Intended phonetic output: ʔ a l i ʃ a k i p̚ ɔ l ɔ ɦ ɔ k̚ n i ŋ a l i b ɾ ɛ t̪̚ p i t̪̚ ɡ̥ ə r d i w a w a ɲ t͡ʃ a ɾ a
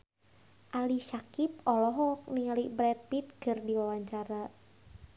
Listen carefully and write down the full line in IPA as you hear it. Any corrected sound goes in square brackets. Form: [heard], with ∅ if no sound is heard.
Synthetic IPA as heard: ʔ a l i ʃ a k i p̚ ɔ l ɔ ɦ ɔ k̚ n i ŋ a l i b ɾ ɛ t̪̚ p i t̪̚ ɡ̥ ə r d i w a w a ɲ t͡ʃ a ɾ a